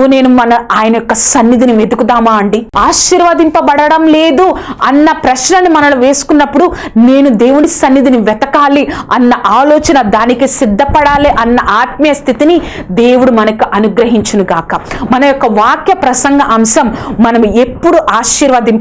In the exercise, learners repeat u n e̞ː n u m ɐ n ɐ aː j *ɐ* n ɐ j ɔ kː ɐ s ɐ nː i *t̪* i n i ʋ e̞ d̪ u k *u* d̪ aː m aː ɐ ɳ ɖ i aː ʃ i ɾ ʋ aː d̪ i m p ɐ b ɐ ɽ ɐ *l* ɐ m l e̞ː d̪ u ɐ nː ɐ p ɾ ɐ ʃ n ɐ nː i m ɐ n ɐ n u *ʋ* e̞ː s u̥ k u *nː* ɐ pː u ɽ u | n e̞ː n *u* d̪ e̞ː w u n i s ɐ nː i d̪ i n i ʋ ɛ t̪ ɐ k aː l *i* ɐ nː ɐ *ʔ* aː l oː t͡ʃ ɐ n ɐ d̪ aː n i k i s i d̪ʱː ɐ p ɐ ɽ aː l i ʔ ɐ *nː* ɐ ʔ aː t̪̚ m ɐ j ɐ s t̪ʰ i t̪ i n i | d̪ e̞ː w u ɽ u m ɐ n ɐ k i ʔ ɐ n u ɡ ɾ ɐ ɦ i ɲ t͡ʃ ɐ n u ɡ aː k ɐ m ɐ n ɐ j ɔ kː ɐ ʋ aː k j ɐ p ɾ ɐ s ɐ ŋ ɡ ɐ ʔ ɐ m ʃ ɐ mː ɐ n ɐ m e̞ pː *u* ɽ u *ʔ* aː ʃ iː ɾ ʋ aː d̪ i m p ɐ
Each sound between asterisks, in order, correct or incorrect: correct, incorrect, correct, incorrect, correct, correct, correct, correct, correct, correct, correct, correct

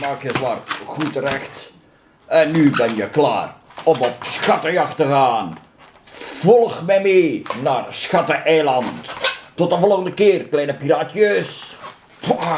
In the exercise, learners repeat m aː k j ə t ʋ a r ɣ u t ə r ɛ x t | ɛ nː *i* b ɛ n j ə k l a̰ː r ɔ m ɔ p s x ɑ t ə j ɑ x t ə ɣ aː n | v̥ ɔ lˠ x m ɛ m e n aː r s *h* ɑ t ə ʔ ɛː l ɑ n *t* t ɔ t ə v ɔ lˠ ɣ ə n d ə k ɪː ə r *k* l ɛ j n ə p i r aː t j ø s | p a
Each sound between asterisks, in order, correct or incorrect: incorrect, incorrect, correct, correct

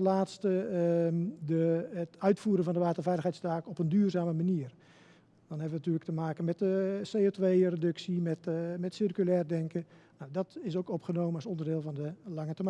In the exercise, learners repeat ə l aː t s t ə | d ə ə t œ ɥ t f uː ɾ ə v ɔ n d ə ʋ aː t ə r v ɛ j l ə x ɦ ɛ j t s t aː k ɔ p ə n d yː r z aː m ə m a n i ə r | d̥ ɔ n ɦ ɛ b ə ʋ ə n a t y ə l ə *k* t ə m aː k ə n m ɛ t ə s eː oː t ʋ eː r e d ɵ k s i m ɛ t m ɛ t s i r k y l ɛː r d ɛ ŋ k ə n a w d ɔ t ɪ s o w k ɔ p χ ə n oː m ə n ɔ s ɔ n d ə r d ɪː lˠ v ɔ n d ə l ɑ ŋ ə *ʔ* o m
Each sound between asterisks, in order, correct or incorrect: correct, incorrect

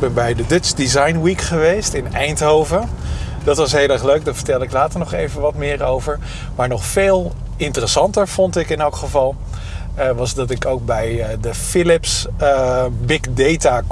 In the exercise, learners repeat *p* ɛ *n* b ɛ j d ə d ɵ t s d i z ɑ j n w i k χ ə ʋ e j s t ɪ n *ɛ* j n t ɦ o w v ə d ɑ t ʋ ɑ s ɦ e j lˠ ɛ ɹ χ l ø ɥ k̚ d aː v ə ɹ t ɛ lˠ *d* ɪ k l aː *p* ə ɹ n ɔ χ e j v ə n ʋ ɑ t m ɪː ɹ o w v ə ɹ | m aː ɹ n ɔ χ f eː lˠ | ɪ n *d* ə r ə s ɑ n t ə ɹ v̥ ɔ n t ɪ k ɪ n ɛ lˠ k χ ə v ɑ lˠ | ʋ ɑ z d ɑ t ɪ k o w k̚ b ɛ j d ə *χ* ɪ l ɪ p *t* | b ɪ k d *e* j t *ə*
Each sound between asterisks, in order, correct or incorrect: incorrect, correct, correct, correct, incorrect, incorrect, incorrect, incorrect, correct, incorrect

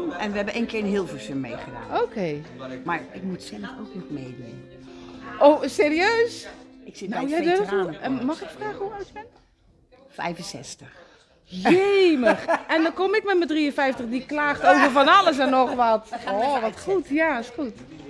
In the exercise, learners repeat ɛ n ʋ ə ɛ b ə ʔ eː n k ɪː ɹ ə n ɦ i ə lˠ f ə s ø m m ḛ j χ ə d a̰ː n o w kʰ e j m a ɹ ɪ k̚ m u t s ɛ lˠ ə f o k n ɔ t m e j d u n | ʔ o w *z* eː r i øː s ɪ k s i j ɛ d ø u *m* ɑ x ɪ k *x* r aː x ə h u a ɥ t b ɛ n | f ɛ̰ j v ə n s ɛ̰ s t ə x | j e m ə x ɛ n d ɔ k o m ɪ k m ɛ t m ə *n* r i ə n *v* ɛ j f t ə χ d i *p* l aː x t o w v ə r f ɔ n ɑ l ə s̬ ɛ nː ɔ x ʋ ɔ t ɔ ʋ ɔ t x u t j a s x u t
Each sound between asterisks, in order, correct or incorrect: incorrect, correct, incorrect, incorrect, incorrect, incorrect

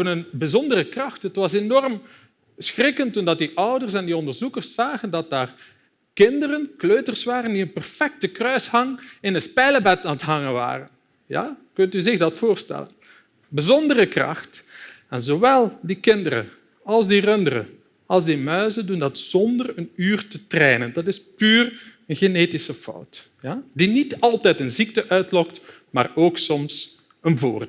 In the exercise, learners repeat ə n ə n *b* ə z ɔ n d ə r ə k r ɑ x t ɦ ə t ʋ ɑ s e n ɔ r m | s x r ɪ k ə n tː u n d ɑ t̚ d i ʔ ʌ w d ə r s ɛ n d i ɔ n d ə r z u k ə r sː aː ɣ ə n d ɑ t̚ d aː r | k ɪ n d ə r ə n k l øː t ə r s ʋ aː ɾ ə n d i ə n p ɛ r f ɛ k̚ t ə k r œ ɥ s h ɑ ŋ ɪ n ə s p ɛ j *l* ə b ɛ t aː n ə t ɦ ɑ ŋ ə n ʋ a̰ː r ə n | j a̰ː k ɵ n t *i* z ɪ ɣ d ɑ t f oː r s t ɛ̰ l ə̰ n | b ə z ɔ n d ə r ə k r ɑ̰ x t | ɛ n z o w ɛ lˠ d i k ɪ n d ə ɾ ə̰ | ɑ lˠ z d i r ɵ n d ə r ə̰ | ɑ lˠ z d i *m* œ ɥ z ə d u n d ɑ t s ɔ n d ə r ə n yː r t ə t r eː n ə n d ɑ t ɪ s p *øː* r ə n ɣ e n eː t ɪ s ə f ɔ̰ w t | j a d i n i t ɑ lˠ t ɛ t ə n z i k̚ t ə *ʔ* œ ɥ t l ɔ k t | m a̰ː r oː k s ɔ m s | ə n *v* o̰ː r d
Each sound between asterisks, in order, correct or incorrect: correct, correct, incorrect, correct, incorrect, correct, correct

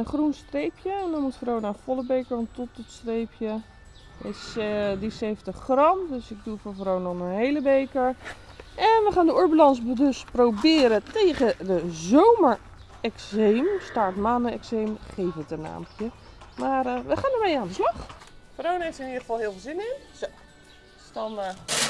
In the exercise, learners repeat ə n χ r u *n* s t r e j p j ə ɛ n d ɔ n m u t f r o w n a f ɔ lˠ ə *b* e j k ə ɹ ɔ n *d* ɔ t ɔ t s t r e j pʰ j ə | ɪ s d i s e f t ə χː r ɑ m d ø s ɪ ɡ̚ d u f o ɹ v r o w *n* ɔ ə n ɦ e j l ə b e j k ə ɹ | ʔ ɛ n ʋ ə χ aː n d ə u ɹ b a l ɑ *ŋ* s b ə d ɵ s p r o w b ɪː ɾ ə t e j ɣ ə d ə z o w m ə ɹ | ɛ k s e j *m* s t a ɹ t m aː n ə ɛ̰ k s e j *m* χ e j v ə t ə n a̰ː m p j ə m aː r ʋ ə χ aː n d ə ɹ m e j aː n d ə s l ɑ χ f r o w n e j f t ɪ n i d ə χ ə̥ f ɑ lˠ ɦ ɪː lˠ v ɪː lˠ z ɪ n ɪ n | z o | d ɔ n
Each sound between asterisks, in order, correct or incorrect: correct, correct, incorrect, correct, incorrect, correct, correct

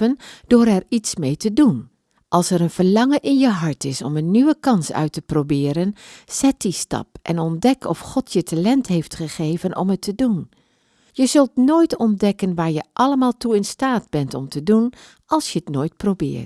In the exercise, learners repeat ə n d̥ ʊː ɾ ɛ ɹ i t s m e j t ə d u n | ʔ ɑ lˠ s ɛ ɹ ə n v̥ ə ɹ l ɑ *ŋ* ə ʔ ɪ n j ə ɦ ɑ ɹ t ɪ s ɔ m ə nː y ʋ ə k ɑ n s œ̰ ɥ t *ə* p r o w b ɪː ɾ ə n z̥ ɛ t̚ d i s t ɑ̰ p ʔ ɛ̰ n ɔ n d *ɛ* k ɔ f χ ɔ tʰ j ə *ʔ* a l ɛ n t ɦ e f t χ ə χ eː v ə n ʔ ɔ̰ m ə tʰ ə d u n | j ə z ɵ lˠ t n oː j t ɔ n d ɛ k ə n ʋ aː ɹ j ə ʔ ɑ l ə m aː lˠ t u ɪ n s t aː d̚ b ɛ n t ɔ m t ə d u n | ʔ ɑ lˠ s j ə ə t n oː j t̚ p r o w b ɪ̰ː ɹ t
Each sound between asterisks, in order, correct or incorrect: correct, correct, correct, incorrect

